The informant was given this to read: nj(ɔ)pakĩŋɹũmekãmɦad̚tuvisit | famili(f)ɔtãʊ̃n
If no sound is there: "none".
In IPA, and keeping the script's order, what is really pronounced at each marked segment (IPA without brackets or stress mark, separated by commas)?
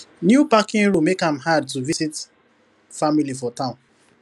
u, f